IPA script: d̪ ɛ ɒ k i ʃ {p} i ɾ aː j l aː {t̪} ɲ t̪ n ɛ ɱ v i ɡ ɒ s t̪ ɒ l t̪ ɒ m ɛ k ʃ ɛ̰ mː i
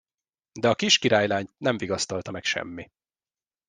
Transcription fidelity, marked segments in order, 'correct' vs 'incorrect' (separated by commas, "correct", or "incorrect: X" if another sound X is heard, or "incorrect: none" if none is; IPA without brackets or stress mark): incorrect: k, incorrect: none